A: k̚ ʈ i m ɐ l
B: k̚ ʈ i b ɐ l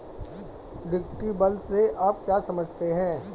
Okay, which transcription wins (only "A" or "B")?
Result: B